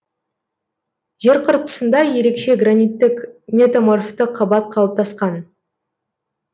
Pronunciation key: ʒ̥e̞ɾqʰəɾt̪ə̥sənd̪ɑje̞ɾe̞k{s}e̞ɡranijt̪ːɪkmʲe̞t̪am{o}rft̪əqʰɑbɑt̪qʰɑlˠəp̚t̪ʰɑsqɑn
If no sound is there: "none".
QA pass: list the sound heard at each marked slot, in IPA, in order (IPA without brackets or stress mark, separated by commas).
ʃ, o